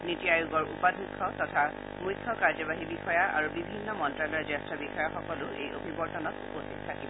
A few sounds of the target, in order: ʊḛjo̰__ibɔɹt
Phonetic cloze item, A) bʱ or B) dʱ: A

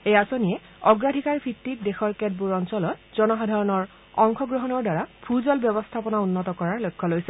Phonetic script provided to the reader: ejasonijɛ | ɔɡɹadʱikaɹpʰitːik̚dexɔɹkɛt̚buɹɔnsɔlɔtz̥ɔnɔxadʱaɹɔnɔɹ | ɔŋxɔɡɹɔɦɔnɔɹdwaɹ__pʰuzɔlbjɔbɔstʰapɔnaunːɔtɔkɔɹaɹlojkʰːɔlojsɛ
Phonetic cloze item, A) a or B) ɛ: A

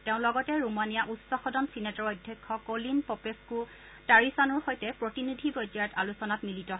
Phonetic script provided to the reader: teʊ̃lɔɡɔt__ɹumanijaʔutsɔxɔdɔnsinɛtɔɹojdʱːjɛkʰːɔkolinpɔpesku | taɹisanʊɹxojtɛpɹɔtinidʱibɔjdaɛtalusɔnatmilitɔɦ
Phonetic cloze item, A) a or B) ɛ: B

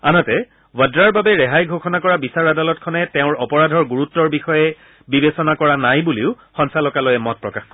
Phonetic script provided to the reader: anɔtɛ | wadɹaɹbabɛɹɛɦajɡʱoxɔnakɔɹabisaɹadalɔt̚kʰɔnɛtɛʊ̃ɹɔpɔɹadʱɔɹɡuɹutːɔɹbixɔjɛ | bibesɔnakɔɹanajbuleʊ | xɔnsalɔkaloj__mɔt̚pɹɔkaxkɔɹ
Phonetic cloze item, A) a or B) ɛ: B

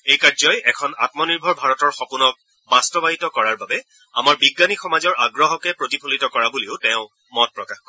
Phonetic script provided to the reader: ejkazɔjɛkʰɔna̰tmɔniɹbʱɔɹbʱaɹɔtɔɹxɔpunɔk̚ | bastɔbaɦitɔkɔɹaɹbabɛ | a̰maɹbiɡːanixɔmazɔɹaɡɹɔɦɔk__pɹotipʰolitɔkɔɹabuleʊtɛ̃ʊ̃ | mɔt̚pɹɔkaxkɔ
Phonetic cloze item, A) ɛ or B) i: A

